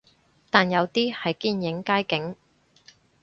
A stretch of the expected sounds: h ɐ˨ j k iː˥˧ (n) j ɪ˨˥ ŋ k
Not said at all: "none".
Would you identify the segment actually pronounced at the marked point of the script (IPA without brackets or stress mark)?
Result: n